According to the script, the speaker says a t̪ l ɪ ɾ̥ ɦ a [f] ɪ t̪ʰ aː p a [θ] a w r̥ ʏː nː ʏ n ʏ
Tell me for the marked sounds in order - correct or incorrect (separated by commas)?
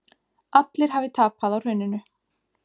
incorrect, incorrect